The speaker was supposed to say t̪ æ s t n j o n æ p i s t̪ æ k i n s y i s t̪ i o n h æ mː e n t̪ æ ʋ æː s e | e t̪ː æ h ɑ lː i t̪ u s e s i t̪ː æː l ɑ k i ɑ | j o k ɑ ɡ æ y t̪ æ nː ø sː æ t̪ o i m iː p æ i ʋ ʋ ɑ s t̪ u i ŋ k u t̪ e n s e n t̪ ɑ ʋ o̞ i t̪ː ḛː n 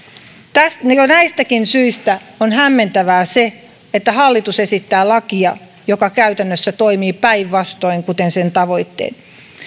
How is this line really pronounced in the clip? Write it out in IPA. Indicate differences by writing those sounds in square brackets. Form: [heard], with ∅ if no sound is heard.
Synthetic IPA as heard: t̪ æ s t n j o n æ [∅] i s t̪ æ k i n s y i s t̪ [æ] o n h æ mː e n t̪ æ ʋ æː s e | e t̪ː æ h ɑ lː i t̪ u s e s i t̪ː æː l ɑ k i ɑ | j o k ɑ [k] æ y t̪ æ nː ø sː æ t̪ o i m iː p æ i ʋ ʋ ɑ s t̪ [o] i ŋ k u t̪ e n s e n t̪ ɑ ʋ o̞ i t̪ː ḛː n